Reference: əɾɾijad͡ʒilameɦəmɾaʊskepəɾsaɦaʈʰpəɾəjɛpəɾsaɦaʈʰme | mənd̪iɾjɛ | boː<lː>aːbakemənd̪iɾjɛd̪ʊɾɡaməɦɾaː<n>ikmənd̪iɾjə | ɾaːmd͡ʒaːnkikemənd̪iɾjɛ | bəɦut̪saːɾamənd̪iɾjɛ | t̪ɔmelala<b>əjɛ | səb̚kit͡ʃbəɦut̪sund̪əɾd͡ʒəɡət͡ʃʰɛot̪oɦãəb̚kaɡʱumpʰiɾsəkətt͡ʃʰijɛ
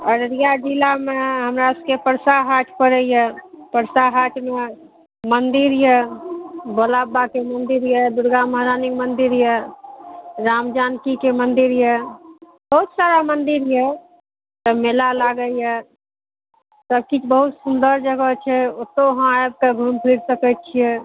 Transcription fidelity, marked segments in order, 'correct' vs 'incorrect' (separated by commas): incorrect, correct, incorrect